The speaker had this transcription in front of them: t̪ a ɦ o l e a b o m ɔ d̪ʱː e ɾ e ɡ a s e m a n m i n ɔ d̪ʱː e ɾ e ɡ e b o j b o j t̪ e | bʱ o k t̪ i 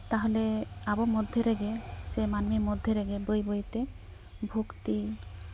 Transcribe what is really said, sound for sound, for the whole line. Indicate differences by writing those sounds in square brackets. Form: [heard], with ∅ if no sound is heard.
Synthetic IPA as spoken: t̪ a ɦ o l e a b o m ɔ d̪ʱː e ɾ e ɡ [e] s e m a n m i [m] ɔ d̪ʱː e ɾ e ɡ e b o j b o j t̪ e | bʱ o k t̪ i